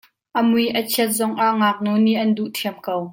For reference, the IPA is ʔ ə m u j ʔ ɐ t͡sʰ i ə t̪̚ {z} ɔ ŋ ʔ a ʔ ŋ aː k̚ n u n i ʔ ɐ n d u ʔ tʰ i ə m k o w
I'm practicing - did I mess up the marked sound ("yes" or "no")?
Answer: no